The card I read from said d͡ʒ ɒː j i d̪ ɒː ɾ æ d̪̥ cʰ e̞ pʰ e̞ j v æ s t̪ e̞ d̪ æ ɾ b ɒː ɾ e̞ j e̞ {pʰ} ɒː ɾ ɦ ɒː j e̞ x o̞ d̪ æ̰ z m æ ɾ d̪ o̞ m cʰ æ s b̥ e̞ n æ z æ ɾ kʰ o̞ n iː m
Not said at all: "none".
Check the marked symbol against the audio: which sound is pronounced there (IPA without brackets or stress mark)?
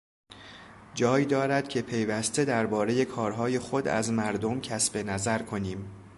kʰ